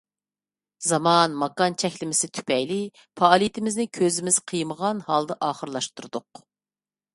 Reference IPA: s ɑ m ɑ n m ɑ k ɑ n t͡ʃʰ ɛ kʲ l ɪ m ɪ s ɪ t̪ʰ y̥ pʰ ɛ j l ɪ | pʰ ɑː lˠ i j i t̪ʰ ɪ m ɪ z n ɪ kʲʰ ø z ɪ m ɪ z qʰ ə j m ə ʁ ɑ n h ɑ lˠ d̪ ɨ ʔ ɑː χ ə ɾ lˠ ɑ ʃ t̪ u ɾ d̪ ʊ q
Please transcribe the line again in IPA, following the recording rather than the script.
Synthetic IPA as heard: z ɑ m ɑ n m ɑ k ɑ n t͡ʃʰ ɛ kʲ l ɪ m ɪ s ɪ t̪ʰ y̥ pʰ ɛ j l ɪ | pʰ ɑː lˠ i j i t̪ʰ ɪ m ɪ z n ɪ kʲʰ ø z ɪ m ɪ z qʰ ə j m ə ʁ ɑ n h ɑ lˠ d̪ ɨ ʔ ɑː χ ə ɾ lˠ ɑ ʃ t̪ u ɾ d̪ ʊ q